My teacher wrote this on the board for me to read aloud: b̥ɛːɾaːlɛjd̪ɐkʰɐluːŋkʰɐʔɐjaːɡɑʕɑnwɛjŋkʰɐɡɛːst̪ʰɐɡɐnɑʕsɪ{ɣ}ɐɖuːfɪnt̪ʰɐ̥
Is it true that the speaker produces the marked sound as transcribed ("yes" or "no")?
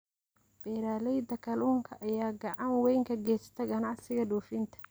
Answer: yes